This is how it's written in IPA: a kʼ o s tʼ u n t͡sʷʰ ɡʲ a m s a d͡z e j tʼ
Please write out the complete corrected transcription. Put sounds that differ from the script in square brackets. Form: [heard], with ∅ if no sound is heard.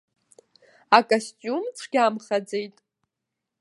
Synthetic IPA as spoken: a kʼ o s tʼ u [m] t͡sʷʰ ɡʲ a m [χ] a d͡z e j tʼ